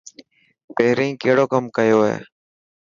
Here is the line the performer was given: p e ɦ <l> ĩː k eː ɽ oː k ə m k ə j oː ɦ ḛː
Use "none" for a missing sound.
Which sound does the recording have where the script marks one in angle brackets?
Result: ɾ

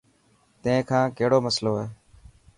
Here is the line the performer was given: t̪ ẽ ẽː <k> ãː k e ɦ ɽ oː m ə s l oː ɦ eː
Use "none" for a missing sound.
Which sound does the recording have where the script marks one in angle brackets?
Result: kʰ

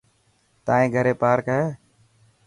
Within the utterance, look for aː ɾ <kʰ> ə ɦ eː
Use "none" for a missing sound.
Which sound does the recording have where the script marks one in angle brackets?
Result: k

